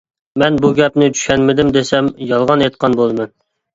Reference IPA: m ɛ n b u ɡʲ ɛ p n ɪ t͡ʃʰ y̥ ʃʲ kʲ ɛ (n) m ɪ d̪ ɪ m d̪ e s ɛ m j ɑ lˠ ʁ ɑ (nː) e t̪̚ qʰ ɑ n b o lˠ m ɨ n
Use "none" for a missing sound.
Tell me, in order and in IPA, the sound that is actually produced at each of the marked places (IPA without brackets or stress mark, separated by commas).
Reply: n, n